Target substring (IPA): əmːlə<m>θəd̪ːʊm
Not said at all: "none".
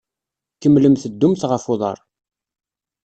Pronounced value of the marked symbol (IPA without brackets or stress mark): m